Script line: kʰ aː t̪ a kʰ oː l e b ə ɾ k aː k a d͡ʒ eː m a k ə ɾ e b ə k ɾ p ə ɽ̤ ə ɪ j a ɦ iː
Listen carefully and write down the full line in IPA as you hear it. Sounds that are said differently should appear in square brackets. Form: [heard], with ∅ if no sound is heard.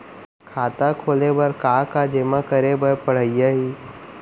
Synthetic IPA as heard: kʰ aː t̪ a kʰ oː l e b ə ɾ k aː k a d͡ʒ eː m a k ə ɾ e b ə [∅] ɾ p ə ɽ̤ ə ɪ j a ɦ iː